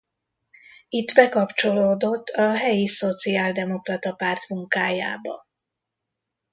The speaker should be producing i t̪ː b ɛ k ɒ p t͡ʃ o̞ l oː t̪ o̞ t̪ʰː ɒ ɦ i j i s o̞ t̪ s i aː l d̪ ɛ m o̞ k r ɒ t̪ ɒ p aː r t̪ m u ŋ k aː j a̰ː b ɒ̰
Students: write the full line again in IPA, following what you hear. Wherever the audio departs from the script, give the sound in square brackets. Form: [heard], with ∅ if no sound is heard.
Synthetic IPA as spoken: i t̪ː b ɛ k ɒ p t͡ʃ o̞ l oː [d̪] o̞ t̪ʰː ɒ ɦ [ɛ] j i s o̞ t̪ s i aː l d̪ ɛ m o̞ k r ɒ t̪ ɒ p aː r t̪ m u ŋ k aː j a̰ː b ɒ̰